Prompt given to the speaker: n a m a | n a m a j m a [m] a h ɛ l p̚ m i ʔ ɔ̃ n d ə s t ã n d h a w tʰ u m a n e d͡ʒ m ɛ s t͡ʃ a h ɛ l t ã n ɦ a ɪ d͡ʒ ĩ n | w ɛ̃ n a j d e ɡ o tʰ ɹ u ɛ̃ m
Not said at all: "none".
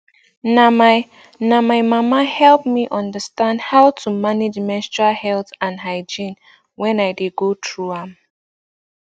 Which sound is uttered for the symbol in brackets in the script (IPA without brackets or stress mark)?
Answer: m